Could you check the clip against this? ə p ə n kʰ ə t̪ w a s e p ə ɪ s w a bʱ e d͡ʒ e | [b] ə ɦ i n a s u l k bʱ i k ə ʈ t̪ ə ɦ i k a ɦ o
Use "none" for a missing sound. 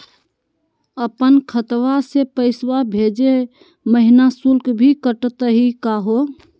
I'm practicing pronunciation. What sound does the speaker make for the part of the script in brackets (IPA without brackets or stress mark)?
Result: m